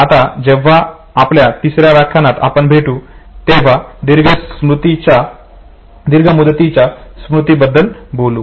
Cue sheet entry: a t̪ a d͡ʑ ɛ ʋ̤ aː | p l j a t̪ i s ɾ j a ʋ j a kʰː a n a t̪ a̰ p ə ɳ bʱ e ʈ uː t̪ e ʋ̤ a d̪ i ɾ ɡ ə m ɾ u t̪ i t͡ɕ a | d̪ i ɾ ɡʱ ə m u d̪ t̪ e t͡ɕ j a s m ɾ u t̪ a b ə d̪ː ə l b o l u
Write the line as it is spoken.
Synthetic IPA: a t̪ a d͡ʑ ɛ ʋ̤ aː | p l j a t̪ i s ɾ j a ʋ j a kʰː a n a t̪ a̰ p ə ɳ bʱ e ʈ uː t̪ e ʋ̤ a d̪ i ɾ ɡ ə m ɾ u t̪ i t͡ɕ a | d̪ i ɾ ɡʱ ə m u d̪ t̪ i t͡ɕ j a s m ɾ u t̪ i b ə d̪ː ə l b o l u